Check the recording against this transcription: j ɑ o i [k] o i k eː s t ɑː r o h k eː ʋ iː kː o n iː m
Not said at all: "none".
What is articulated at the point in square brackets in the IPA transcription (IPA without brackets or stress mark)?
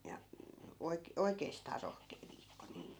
k